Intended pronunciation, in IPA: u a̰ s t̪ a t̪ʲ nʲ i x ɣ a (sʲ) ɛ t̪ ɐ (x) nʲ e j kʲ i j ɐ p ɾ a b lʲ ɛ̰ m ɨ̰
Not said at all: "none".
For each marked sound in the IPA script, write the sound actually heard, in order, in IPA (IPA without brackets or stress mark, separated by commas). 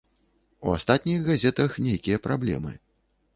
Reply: zʲ, x